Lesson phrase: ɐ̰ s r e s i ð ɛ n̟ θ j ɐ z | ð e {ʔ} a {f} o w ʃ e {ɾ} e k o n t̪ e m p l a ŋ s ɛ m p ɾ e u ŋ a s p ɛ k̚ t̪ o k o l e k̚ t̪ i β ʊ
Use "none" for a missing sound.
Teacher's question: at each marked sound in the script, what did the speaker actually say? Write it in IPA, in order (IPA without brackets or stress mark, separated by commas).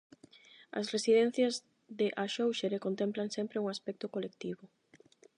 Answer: ʔ, ʃ, ɾ